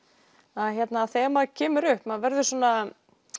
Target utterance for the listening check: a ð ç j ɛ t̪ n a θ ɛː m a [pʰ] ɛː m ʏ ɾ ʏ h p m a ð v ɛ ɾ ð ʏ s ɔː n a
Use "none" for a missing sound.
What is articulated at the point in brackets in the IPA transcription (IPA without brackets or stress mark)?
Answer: cʰ